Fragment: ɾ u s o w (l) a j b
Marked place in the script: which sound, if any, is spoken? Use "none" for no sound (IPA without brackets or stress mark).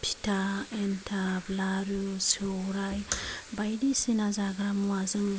ɾ